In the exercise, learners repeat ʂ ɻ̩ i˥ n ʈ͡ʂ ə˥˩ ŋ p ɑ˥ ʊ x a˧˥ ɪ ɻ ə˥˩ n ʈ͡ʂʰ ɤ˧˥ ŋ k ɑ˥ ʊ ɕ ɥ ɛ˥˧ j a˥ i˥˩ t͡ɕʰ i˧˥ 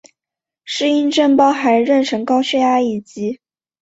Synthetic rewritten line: ʂ ɻ̩ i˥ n ʈ͡ʂ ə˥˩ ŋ p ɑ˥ ʊ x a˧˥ ɪ ɻ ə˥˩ n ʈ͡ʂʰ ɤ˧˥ ŋ k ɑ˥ ʊ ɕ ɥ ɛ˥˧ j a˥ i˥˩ t͡ɕ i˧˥